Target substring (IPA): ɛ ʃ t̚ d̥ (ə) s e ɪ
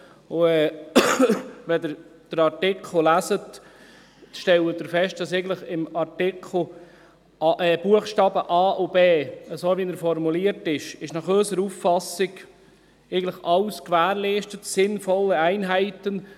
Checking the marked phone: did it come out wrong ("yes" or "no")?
yes